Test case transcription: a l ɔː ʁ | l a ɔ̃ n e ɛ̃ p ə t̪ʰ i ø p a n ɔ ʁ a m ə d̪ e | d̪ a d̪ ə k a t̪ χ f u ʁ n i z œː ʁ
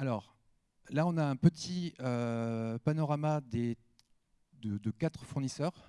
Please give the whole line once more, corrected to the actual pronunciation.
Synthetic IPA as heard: a l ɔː ʁ | l a ɔ̃ n a ɛ̃ p ə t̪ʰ i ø p a n ɔ ʁ a m a d̪ e | d̪ ə d̪ ə k a t̪ χ f u ʁ n i s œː ʁ